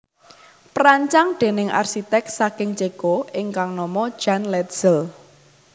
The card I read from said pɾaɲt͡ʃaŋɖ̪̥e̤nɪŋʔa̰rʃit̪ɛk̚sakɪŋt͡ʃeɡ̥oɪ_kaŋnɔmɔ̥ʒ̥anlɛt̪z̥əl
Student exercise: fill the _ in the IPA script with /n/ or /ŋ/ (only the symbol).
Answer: ŋ